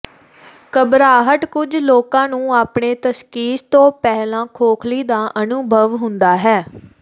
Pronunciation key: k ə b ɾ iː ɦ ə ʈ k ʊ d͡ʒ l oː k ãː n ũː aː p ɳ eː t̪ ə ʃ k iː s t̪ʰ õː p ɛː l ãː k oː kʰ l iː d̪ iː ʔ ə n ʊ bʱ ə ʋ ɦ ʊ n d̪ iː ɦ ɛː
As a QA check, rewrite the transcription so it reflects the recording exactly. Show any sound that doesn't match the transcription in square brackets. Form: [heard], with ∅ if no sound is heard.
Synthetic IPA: k ə b ɾ [aː] ɦ ə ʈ k ʊ d͡ʒ l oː k ãː n ũː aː p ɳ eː t̪ ə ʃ k iː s [t̪] õː p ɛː l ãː [kʰ] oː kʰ l iː d̪ [aː] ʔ ə n ʊ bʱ ə ʋ ɦ ʊ n d̪ [aː] ɦ ɛː